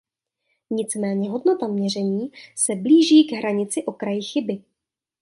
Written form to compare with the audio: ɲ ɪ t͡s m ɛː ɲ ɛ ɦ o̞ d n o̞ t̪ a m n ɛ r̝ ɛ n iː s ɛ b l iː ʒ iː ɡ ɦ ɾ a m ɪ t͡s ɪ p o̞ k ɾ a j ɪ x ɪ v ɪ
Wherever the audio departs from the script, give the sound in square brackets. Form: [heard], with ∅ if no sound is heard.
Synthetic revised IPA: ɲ ɪ t͡s m ɛː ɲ ɛ ɦ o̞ d n o̞ t̪ a m [ɲ] ɛ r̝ ɛ [ɲ] iː s ɛ b l iː ʒ iː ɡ ɦ ɾ a [ɲ] ɪ t͡s ɪ [ʔ] o̞ k ɾ a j ɪ x ɪ [b] ɪ